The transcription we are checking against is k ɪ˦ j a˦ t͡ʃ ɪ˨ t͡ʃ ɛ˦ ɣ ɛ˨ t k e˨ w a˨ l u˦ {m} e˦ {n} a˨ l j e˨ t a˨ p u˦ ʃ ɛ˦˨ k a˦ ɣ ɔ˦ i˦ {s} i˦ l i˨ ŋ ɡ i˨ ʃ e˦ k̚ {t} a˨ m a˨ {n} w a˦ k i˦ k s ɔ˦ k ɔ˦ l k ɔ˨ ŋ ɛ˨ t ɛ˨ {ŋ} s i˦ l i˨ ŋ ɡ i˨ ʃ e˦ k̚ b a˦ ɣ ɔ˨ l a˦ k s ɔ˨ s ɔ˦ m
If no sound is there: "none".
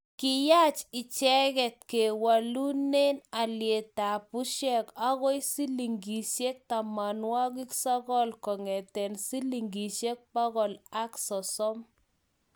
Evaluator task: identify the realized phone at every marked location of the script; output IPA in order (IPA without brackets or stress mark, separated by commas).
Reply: n, n, s, t, n, n